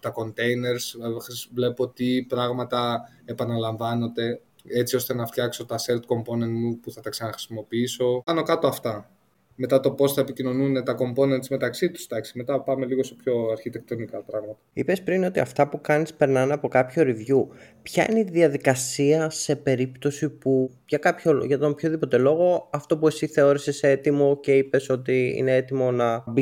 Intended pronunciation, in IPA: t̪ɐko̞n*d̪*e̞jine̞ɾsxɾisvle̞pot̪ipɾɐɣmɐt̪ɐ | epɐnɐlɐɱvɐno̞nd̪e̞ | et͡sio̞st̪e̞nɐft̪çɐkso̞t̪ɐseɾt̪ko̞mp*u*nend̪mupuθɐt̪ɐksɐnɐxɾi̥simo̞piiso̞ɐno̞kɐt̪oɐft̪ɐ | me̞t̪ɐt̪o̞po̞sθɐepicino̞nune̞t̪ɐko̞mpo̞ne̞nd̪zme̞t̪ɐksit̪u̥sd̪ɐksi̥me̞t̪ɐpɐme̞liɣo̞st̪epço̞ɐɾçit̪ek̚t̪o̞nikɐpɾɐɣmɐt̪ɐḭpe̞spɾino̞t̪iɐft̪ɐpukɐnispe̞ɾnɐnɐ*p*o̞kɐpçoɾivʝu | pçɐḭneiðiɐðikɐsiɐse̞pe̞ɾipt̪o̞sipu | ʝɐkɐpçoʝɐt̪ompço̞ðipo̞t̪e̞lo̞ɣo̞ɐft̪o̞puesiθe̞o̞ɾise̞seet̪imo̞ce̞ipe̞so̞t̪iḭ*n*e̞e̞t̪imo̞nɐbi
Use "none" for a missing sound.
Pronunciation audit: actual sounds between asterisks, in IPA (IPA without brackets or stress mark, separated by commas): t̪, o, p, n